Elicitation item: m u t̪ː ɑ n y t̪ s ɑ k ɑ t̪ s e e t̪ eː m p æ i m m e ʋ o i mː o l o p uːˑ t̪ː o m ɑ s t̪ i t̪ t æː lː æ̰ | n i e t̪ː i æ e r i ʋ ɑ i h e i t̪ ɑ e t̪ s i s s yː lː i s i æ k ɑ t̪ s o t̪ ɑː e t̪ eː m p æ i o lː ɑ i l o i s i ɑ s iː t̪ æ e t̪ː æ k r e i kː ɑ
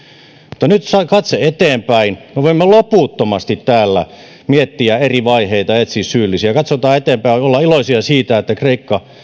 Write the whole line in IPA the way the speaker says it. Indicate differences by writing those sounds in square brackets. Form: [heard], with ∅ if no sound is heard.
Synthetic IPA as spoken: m u t̪ː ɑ n y t̪ s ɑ k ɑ t̪ s e e t̪ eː m p æ i [n] m e ʋ o i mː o l o p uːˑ t̪ː o m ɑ s t̪ i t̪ t æː lː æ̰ | [m] i e t̪ː i æ e r i ʋ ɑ i h e i t̪ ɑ e t̪ s i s s yː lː i s i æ k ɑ t̪ s o t̪ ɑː e t̪ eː m p æ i o lː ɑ i l o i s i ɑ s iː t̪ æ e t̪ː æ k r e i kː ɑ